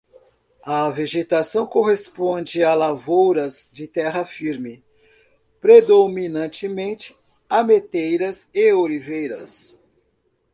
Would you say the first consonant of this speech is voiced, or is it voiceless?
voiced